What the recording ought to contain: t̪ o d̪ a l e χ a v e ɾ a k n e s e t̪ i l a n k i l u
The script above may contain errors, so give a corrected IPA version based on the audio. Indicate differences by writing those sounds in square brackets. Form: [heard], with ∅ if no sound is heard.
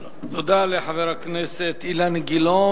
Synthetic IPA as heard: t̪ o d̪ a l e [ħ] a v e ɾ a k n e s e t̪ i l a n [ɡ] i l [o]